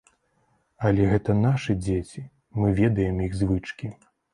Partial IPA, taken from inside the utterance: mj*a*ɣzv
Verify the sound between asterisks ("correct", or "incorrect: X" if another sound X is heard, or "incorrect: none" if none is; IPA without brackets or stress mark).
incorrect: i